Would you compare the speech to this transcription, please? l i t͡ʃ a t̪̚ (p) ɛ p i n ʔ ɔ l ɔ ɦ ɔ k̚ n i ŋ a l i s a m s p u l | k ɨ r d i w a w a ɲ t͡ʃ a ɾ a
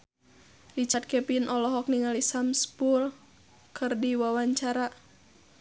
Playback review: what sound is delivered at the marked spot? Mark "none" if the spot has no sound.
k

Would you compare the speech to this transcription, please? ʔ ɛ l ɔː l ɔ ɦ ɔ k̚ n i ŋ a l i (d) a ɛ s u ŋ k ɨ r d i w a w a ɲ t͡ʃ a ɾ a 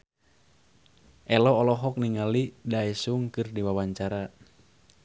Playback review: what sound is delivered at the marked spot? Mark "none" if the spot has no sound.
d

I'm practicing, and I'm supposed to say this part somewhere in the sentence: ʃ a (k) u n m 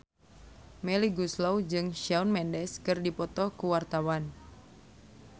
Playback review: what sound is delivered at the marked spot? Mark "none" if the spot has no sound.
none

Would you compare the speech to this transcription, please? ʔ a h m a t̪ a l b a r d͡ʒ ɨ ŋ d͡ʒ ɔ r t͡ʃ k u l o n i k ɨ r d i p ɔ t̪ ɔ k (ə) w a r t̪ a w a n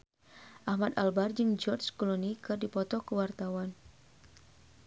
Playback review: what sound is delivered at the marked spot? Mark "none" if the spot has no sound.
ə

